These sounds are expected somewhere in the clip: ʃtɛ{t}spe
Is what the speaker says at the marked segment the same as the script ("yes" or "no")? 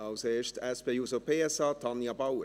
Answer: no